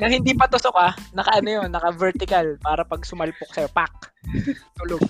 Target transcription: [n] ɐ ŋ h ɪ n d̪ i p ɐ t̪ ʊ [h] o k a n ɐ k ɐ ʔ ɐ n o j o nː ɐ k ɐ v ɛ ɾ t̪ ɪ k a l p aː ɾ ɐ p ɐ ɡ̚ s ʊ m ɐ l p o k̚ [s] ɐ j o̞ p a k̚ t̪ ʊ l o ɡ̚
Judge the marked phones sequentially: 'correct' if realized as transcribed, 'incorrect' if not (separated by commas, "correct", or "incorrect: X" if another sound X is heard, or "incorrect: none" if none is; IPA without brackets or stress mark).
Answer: correct, incorrect: s, correct